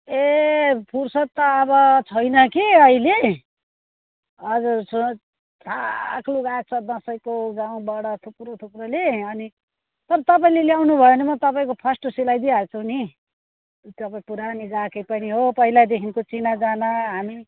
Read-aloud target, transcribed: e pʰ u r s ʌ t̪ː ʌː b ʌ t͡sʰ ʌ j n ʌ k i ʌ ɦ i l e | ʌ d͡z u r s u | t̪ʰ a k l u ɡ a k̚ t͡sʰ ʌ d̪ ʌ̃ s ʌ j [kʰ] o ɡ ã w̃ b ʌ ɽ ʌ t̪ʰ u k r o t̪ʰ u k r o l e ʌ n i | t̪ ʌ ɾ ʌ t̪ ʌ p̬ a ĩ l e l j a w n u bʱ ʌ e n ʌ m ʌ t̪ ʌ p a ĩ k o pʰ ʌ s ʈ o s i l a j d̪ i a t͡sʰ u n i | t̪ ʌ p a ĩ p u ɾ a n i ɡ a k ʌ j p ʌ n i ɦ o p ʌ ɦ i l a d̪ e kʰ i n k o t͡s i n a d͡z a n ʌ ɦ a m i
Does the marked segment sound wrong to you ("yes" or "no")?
yes